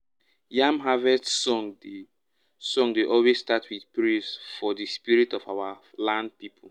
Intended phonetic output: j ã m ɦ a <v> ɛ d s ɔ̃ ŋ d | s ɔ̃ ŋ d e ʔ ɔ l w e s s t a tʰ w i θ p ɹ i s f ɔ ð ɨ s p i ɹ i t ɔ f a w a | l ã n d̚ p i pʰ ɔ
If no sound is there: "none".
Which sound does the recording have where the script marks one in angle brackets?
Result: v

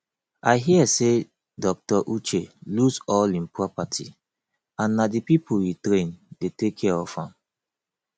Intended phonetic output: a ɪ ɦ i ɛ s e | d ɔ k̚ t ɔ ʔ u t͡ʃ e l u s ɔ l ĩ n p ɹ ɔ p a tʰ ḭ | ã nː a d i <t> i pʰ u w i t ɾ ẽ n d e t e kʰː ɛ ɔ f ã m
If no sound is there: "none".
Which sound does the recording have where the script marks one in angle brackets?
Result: p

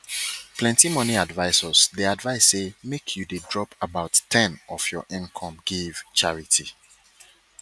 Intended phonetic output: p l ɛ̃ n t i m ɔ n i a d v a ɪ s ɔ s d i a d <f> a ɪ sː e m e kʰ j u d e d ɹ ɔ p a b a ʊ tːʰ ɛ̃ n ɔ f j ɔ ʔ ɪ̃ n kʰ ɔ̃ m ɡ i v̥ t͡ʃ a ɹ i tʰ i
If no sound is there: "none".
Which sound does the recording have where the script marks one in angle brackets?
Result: v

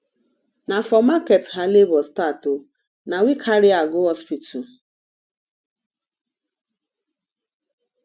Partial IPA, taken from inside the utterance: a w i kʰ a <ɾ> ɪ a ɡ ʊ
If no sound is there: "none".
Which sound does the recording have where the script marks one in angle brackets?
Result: ɾ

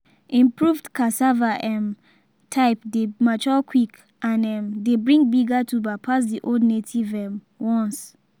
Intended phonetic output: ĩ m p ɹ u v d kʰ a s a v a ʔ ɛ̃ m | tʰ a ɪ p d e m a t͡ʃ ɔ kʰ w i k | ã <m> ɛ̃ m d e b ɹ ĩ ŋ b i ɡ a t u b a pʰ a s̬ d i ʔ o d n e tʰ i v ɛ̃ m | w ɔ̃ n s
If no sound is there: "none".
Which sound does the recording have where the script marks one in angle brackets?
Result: n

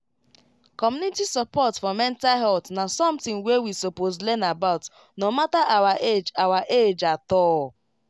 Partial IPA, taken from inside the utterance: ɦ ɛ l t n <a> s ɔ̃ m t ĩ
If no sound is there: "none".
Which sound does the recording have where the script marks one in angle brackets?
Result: a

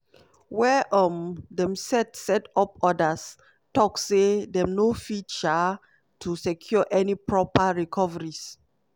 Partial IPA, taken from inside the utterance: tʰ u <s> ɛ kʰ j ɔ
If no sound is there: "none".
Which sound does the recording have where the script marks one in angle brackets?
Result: s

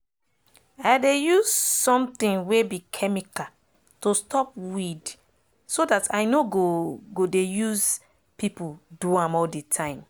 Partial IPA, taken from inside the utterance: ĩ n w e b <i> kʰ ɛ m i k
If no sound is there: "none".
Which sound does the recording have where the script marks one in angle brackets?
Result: i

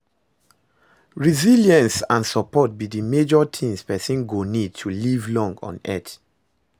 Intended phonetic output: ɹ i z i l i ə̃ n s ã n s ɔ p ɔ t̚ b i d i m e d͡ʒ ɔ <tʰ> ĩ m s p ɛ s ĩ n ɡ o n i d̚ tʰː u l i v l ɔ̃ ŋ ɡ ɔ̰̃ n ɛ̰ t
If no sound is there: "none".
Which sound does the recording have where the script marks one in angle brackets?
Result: tʰ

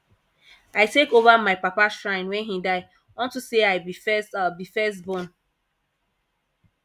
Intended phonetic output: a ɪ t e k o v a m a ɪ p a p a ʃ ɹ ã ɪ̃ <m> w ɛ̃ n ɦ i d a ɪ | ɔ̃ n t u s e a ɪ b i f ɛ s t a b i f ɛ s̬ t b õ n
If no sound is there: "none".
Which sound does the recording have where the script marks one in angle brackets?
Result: n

